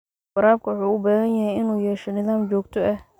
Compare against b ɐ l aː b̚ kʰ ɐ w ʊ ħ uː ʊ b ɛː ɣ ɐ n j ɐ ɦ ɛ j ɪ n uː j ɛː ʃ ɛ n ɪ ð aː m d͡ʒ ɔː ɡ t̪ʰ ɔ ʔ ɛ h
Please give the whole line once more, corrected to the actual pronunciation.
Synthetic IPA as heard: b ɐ ɾ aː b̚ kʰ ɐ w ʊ ħ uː ʊ b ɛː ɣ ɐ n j ɐ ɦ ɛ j ɪ n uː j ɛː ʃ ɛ n ɪ ð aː m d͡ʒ ɔː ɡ t̪ʰ ɔ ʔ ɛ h